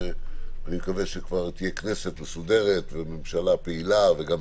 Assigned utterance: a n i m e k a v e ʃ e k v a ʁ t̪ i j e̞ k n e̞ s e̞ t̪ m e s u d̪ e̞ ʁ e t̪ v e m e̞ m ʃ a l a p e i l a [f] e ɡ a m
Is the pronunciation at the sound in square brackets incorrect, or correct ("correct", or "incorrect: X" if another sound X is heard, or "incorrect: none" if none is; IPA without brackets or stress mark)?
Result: incorrect: v